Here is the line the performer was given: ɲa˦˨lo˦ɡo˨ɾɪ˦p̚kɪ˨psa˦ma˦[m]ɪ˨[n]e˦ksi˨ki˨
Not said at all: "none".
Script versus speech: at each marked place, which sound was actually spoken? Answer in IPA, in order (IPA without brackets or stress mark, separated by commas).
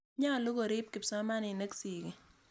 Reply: n, n